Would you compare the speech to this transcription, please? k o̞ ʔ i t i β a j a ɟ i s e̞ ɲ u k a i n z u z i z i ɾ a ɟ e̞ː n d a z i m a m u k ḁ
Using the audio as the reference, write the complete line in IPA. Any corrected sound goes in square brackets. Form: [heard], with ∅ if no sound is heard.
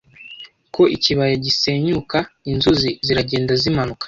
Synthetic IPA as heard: k o̞ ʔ i [c] i β a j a ɟ i s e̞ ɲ u k a i n z u z i z i ɾ a ɟ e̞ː n d a z i m a [n] u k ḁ